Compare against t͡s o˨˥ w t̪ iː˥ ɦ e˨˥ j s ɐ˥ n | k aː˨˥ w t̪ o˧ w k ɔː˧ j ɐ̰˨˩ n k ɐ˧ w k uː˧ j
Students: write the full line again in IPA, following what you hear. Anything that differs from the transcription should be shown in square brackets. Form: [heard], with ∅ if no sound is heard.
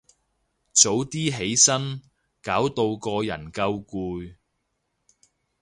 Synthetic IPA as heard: t͡s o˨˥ w t̪ iː˥ ɦ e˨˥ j s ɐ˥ n | k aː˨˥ w t̪ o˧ w k ɔː˧ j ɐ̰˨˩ n k ɐ˧ w k uː˧ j